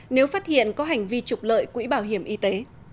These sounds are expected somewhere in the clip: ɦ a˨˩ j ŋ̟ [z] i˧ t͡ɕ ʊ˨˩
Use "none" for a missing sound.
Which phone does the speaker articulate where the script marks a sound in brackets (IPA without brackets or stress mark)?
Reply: v